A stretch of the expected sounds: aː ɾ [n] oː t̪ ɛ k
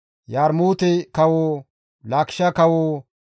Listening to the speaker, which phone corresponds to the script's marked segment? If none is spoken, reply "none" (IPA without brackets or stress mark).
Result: m